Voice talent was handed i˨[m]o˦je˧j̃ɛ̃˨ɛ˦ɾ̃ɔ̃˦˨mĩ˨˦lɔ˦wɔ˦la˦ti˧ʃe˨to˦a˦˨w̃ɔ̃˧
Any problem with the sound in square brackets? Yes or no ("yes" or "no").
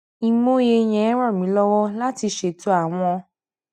no